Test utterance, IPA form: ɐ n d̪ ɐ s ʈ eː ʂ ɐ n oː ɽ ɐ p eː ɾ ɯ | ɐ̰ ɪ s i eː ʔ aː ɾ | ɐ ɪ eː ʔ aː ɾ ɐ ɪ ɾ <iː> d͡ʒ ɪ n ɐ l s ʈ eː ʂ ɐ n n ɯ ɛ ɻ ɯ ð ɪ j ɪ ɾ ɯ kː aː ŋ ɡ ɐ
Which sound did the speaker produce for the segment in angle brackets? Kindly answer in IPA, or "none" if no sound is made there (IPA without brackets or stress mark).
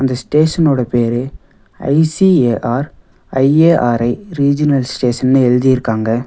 iː